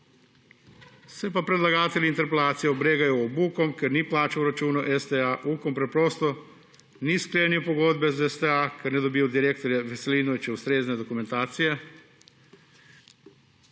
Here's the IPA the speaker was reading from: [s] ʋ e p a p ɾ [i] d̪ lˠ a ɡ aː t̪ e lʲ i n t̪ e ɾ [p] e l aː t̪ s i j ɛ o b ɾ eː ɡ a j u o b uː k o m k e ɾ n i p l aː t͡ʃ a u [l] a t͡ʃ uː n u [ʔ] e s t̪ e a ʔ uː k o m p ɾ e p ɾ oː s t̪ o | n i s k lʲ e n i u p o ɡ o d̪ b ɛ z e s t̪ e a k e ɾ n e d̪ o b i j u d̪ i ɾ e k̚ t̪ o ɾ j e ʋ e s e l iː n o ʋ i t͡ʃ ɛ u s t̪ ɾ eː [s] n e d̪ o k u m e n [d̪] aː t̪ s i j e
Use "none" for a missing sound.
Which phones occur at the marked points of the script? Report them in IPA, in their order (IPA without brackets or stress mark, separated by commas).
s, e, p, ɾ, ʔ, z, t̪